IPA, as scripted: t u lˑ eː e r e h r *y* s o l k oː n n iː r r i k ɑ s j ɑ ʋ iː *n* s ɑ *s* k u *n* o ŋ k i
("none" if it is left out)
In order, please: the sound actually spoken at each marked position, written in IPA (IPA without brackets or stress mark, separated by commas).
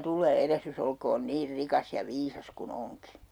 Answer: y, none, s, n